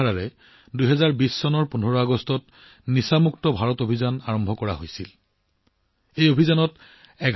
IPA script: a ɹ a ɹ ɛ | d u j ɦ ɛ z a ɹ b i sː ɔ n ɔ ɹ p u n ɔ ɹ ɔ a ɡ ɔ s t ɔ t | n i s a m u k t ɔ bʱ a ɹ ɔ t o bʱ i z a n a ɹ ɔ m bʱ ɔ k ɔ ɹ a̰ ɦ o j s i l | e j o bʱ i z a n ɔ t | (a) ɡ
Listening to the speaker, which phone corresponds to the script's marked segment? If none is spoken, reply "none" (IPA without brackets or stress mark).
ɛ